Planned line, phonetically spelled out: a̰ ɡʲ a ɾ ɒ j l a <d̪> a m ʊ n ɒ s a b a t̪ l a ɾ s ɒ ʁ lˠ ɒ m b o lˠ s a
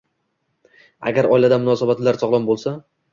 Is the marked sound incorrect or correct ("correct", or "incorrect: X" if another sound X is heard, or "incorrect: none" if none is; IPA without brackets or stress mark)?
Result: correct